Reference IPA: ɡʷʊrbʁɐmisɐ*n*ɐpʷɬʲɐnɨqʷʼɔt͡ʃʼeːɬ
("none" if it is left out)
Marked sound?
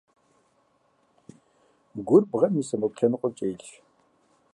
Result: m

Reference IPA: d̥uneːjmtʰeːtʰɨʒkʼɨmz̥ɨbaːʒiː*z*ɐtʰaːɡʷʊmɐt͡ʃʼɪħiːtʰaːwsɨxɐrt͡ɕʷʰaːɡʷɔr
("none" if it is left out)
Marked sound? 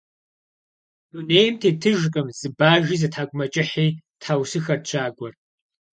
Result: z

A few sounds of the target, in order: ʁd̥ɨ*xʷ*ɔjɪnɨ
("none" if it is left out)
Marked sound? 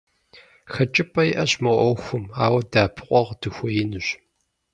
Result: xʷ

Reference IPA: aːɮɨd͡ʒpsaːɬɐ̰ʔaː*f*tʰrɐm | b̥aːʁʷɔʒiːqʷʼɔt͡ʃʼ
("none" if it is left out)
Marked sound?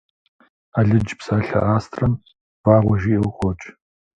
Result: s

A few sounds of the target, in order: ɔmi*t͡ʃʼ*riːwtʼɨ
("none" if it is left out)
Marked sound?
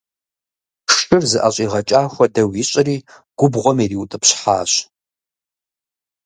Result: none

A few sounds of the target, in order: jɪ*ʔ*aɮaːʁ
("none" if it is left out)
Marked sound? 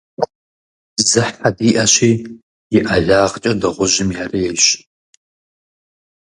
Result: ʔ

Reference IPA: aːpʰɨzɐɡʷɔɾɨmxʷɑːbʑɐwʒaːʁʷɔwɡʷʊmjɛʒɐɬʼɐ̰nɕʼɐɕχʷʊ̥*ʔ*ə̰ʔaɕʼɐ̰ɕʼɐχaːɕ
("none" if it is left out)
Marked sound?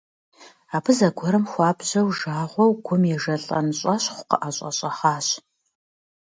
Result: q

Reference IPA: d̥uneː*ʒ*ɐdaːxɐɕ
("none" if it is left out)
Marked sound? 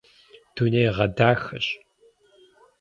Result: ʁ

